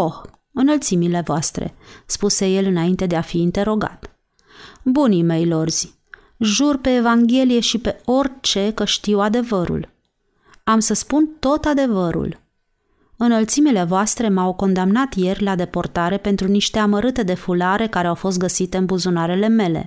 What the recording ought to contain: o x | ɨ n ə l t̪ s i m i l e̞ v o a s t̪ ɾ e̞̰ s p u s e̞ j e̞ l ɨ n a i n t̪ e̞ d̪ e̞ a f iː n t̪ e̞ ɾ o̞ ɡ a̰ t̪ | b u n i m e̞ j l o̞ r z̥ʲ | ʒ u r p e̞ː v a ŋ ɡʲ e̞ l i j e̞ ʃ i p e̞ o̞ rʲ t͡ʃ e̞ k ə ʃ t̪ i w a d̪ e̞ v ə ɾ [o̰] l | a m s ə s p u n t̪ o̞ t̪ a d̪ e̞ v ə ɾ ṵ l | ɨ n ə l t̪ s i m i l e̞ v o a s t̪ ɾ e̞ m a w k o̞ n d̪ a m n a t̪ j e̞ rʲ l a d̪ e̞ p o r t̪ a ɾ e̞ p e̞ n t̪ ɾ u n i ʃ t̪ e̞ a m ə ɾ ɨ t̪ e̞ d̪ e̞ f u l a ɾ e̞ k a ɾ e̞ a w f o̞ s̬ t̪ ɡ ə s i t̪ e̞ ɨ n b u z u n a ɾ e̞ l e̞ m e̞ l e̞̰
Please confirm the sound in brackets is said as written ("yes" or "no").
no